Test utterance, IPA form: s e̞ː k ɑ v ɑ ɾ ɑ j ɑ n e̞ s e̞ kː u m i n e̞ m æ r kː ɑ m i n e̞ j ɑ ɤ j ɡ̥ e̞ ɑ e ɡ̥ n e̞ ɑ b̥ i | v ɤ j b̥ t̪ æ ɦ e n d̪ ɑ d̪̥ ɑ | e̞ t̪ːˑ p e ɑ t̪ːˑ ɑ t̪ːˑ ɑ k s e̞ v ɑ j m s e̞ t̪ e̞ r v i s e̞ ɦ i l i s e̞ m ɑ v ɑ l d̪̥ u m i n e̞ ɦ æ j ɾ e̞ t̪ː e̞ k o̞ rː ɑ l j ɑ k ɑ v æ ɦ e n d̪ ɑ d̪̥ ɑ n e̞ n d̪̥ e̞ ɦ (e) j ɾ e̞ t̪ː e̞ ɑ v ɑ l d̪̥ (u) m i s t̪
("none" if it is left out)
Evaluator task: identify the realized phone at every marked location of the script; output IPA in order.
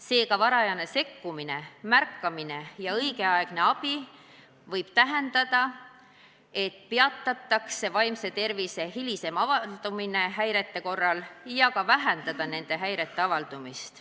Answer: æ, u

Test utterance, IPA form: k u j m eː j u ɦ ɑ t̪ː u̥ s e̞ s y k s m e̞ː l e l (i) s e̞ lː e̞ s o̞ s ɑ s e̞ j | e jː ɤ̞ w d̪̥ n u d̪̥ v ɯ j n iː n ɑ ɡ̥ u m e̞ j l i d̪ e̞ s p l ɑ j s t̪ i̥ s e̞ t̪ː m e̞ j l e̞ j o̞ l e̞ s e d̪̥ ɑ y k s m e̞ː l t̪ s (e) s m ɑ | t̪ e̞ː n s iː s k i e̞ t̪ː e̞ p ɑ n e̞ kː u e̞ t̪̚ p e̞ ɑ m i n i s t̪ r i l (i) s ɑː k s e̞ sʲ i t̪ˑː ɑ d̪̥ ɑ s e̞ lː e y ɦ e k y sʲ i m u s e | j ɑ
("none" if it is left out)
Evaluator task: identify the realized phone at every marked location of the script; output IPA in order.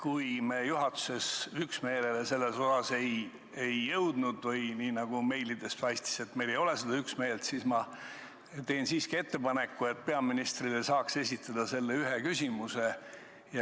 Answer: e, i, e

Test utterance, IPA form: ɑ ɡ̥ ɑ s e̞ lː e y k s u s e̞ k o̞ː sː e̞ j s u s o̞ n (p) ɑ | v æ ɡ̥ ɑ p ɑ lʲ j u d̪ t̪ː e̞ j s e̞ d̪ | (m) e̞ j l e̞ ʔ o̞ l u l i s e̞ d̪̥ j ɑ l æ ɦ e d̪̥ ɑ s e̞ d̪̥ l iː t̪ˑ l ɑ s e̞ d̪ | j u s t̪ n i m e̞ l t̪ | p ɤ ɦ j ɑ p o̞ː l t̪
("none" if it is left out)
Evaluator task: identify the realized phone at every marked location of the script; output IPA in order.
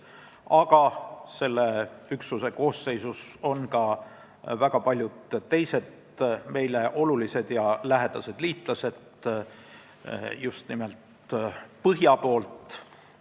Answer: k, m

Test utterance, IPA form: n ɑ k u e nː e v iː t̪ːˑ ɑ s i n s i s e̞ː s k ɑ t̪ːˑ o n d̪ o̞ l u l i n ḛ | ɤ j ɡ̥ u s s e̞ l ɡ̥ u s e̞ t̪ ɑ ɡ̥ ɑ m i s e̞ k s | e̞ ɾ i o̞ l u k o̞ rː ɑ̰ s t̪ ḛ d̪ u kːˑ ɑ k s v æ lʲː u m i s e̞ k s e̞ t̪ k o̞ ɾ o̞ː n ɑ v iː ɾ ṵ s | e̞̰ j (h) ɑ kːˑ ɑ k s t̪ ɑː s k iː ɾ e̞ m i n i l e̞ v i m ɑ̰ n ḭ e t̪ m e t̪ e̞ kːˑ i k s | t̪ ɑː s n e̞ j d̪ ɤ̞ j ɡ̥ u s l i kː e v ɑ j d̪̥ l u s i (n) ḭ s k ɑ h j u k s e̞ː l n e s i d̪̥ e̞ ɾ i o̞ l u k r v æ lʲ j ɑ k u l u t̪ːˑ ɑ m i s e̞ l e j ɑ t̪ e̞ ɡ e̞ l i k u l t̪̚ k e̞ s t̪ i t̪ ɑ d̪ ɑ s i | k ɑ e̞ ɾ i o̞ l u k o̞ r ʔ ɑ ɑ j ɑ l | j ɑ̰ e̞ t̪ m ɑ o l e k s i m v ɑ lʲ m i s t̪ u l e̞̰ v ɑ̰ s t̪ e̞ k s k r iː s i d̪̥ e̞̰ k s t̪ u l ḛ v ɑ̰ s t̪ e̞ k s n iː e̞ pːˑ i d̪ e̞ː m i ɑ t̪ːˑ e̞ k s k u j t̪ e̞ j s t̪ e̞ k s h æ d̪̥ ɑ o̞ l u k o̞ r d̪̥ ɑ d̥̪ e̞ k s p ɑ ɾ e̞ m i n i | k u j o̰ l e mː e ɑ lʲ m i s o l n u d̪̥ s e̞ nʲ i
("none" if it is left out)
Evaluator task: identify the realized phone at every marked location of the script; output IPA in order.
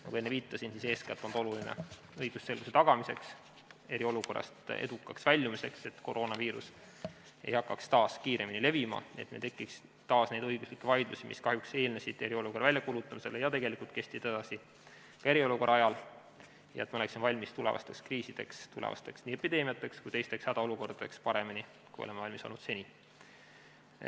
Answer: h, m

